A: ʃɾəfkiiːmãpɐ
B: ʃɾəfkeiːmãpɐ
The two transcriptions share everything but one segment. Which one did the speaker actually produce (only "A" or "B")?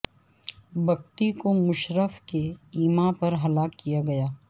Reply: B